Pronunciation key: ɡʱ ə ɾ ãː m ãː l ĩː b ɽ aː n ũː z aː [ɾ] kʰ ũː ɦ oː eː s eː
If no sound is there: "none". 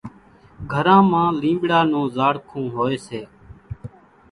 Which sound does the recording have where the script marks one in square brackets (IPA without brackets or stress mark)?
ɽ